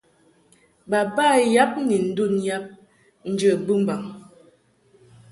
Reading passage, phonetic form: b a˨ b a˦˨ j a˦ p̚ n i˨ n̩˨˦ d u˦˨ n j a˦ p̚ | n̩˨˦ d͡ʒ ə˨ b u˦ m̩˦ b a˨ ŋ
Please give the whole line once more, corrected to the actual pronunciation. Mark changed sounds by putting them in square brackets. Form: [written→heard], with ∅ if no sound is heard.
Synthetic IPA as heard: b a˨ b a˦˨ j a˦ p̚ n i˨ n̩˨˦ d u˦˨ n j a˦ p̚ | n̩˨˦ d͡ʒ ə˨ b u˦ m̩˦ b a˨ ŋ